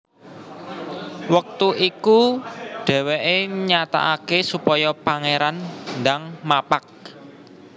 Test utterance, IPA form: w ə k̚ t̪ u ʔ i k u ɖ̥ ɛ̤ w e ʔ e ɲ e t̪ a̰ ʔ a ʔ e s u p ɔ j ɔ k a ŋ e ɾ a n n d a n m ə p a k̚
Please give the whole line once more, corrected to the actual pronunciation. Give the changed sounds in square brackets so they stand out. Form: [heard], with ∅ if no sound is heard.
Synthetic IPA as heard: w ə k̚ t̪ u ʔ i k u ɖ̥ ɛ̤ w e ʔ e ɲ [a] t̪ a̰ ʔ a [k] e s u p ɔ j ɔ [p] a ŋ e ɾ a n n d a [ŋ] m [a] p a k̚